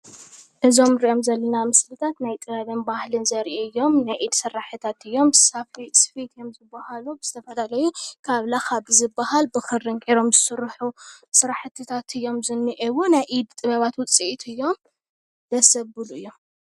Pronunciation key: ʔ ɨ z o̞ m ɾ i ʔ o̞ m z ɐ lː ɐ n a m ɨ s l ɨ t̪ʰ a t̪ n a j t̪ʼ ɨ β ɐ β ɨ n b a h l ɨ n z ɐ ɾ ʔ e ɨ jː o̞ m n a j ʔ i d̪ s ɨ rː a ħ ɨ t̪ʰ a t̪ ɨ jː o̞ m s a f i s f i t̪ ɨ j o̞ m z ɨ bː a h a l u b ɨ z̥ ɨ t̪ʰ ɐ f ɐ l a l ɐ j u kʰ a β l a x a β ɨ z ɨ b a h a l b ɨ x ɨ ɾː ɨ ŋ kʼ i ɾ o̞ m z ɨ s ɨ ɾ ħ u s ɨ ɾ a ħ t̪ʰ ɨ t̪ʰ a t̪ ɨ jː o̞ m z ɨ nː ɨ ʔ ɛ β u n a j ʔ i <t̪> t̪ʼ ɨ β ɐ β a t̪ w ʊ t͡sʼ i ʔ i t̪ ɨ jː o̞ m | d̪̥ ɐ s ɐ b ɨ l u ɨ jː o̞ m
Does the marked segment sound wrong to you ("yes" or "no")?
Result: yes